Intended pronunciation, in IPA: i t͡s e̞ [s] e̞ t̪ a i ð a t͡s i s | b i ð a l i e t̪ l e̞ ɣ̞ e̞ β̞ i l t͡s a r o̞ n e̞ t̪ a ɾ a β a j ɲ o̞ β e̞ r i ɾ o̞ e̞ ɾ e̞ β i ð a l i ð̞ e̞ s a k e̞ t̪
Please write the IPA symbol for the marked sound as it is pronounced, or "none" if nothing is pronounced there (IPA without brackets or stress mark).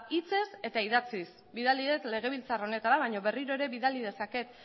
s